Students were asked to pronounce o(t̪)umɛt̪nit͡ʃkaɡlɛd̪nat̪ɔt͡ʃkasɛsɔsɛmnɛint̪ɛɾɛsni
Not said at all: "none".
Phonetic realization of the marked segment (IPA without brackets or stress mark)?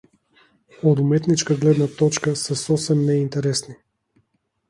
d̪